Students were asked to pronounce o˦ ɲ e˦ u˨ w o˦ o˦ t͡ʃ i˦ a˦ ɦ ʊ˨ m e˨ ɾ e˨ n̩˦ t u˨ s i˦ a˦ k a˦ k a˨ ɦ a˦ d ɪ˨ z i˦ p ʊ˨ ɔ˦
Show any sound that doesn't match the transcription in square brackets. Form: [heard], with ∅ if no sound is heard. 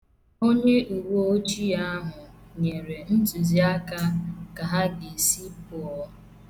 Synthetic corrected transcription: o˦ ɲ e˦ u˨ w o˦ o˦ t͡ʃ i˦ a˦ ɦ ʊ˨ [ɲ] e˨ ɾ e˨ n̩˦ t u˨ [z] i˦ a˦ k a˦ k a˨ ɦ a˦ [ɡ] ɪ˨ [s] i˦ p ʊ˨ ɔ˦